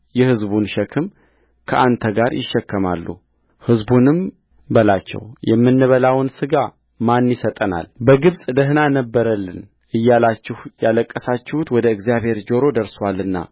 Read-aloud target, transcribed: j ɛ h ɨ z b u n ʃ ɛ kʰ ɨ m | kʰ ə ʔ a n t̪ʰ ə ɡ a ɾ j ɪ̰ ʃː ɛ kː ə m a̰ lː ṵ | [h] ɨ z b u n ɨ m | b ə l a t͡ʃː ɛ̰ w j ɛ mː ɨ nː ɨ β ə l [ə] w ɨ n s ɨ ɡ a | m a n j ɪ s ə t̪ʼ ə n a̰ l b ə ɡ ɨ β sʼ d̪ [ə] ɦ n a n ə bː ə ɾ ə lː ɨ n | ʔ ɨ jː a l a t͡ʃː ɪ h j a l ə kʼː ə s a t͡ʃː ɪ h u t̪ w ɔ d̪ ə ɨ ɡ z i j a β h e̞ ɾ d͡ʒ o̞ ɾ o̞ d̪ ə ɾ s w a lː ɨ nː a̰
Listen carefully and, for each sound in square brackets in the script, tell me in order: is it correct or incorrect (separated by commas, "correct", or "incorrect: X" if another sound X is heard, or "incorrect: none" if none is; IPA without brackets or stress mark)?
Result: correct, incorrect: a, correct